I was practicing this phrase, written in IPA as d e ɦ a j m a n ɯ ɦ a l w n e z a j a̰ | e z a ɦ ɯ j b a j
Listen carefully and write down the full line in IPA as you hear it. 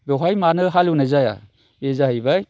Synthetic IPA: b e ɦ a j m a n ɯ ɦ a l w n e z a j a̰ | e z a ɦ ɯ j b a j